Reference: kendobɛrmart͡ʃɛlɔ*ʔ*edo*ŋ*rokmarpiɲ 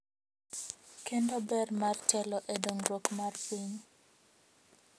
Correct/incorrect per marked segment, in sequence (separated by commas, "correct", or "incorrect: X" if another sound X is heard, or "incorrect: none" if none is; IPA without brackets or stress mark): correct, correct